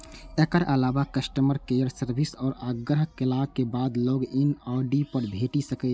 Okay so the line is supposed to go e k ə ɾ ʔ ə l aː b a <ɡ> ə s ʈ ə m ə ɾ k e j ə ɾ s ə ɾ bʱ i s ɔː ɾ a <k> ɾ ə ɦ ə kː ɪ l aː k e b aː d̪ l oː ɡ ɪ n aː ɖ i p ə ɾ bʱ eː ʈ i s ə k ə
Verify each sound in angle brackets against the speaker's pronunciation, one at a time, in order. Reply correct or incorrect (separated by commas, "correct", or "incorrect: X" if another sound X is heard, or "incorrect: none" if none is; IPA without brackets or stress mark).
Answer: incorrect: k, incorrect: ɡ